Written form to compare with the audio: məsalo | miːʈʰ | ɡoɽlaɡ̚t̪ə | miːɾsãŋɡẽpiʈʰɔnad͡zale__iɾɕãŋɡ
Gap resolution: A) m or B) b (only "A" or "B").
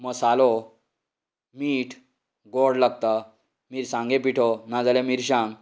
A